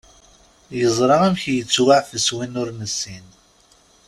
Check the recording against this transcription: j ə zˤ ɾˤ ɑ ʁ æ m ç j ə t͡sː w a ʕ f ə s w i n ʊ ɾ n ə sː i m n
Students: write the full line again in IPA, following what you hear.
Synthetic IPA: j ə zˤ ɾˤ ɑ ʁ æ m ç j ə t͡sː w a ʕ f ə s w i n ʊ ɾ n ə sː i n